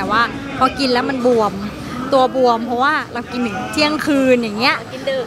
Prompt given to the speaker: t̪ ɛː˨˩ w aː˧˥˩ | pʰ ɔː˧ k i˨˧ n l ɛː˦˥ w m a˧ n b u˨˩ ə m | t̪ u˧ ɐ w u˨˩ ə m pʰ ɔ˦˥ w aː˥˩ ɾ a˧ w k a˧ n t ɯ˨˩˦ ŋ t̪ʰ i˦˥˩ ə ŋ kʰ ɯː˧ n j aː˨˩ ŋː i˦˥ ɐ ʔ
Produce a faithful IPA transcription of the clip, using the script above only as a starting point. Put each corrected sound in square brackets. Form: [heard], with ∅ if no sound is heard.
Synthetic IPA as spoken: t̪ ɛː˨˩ w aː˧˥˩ | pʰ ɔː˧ k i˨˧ n l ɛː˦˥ w m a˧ n b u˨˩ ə m | t̪ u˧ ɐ [b] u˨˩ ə m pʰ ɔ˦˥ w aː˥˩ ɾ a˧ w k [i˧] n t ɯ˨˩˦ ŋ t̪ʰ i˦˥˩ ə ŋ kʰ ɯː˧ n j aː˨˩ ŋː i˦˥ ɐ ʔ